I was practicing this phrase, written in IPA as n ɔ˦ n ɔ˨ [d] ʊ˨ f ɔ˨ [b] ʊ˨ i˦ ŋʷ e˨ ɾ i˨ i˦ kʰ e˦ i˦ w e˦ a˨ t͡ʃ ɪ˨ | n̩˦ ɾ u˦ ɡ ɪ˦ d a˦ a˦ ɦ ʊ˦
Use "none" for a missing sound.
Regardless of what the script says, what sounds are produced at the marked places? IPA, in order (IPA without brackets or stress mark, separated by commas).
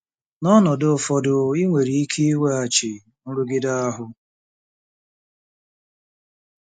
d, d